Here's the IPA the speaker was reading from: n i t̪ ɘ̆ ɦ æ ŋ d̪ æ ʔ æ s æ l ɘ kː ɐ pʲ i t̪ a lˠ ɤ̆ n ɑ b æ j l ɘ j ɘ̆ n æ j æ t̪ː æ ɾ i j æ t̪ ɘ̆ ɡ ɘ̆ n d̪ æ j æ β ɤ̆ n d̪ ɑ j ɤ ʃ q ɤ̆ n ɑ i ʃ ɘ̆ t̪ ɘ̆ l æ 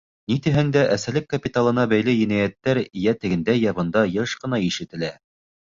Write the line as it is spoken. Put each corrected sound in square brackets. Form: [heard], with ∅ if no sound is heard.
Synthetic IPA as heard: n i t̪ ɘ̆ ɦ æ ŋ d̪ æ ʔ æ s æ l ɘ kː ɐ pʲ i t̪ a lˠ ɤ̆ n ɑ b æ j l ɘ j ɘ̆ n æ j æ t̪ː æ ɾ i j æ t̪ ɘ̆ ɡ ɘ̆ n d̪ æ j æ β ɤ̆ n d̪ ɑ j ɤ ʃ q ɤ̆ n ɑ i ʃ ɘ̆ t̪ ɘ̆ l æ